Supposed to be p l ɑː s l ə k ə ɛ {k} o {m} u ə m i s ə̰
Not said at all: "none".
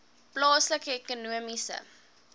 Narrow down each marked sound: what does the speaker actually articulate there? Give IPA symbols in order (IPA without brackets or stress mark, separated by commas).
k, n